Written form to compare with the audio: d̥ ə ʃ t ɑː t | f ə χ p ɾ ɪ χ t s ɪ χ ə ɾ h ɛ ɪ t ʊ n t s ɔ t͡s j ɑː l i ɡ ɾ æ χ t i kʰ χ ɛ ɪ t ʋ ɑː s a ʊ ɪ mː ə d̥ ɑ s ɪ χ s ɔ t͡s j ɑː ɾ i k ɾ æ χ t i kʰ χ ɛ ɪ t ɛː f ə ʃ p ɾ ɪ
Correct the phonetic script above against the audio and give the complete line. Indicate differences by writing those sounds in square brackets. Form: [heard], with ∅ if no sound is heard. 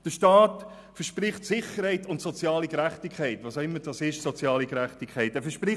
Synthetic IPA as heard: d̥ ə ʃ t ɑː t | f ə [ʃ] p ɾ ɪ χ t s ɪ χ ə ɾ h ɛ ɪ t ʊ n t s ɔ t͡s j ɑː l i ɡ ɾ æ χ t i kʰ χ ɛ ɪ t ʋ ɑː s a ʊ ɪ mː ə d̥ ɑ s ɪ [ʃ] s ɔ t͡s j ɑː [l] i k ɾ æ χ t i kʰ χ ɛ ɪ t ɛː f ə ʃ p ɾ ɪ